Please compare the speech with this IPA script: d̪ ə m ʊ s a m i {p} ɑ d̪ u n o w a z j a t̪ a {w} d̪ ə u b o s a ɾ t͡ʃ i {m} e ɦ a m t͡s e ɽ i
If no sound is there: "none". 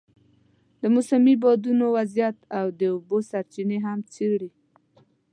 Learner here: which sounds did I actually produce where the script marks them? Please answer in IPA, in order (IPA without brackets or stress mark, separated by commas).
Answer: b, w, n